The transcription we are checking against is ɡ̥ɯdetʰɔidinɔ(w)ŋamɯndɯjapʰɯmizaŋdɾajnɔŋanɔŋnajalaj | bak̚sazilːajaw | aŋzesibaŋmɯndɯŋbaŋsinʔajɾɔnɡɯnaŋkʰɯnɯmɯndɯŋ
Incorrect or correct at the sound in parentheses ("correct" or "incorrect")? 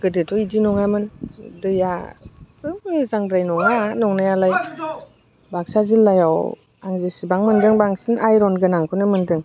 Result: incorrect